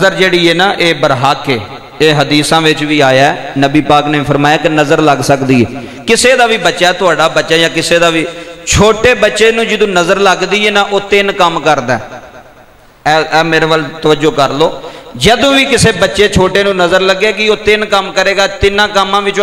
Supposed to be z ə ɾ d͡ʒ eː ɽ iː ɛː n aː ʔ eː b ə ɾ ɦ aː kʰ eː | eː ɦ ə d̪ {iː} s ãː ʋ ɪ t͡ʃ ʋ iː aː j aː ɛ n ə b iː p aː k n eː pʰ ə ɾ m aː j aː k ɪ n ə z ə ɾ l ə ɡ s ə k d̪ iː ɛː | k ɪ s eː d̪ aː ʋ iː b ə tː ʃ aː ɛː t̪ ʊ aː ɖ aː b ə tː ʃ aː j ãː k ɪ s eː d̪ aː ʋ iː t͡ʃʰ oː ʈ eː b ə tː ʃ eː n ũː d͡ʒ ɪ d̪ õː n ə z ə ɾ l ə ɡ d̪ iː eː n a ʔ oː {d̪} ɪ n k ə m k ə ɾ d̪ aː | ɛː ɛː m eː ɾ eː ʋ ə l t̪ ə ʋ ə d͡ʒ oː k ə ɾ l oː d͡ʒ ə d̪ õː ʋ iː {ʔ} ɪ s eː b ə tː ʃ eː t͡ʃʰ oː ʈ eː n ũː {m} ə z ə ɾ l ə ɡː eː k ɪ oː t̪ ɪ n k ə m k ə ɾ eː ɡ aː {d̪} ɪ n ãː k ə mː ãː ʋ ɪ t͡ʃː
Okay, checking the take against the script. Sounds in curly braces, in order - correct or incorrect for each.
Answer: correct, incorrect: t̪, incorrect: k, incorrect: n, incorrect: t̪

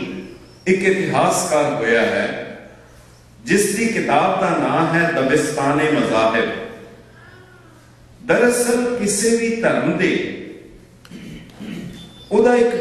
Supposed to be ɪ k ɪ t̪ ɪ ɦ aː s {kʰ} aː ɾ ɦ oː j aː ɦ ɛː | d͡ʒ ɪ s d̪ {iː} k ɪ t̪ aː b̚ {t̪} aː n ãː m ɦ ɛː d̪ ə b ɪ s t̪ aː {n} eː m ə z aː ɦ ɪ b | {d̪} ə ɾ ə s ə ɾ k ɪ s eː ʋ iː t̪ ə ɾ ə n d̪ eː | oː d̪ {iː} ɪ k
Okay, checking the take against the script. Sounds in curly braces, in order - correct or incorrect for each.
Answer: incorrect: k, correct, incorrect: d̪, correct, correct, incorrect: aː

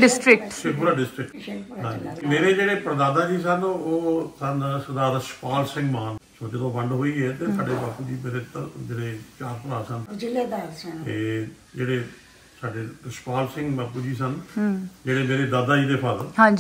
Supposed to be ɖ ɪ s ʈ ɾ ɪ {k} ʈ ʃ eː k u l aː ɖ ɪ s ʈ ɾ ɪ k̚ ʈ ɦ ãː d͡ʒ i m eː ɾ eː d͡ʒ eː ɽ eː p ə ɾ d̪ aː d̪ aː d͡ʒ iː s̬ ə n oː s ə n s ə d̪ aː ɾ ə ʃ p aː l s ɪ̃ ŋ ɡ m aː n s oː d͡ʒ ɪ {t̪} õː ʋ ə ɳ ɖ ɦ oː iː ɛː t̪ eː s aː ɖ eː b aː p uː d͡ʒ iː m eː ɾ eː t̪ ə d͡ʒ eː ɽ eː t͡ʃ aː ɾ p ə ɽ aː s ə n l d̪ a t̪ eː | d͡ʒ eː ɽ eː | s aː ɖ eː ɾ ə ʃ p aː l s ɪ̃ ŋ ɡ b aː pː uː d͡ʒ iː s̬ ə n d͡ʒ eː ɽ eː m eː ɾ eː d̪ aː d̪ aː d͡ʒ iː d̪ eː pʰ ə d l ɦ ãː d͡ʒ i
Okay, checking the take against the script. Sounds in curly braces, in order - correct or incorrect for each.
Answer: correct, incorrect: d̪

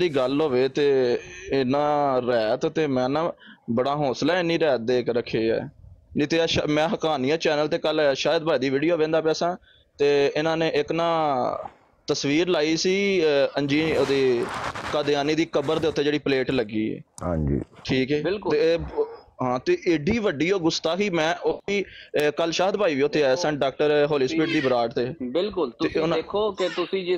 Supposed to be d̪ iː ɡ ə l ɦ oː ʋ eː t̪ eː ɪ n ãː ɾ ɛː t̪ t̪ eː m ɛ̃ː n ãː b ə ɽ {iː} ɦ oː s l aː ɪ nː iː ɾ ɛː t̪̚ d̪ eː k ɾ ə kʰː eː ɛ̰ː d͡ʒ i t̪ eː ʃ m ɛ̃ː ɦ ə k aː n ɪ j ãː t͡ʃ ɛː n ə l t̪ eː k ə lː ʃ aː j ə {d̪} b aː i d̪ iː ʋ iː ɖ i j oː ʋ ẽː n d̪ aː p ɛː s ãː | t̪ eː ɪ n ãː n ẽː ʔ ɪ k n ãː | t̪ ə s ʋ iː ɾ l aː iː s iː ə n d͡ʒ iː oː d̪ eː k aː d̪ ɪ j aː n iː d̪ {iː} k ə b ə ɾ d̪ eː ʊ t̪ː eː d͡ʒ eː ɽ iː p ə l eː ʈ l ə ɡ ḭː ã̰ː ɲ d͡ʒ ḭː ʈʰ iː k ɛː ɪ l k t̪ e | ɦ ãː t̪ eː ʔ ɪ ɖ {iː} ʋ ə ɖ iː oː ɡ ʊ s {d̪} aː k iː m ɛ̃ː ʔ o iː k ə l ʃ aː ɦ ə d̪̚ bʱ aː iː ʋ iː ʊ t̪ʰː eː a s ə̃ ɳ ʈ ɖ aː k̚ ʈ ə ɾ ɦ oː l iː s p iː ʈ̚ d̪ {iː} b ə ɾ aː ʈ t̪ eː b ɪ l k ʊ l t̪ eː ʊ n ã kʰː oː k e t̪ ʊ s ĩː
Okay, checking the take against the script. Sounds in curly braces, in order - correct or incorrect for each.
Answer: incorrect: aː, correct, correct, correct, incorrect: t̪, correct

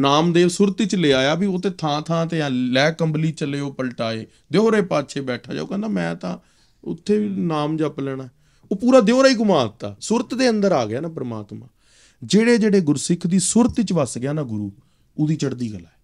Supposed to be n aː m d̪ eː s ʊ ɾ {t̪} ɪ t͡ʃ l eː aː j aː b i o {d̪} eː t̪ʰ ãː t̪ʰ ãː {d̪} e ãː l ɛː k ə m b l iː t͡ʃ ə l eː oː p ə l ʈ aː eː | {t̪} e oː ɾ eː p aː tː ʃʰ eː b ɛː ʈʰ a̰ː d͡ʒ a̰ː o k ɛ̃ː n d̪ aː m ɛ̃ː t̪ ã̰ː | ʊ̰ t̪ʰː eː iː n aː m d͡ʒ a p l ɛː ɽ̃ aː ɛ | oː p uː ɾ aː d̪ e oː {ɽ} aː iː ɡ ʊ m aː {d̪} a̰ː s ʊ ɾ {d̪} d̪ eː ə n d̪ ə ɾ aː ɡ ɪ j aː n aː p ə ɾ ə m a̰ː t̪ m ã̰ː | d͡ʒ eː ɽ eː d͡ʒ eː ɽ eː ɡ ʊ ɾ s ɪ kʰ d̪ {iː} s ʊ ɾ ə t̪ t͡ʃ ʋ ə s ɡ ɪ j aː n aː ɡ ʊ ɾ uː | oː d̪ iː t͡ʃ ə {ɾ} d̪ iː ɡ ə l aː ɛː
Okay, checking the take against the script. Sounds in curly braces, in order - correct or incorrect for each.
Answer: correct, incorrect: t̪, incorrect: t̪, incorrect: d̪, incorrect: ɾ, incorrect: t̪, incorrect: t̪, correct, incorrect: ɽ

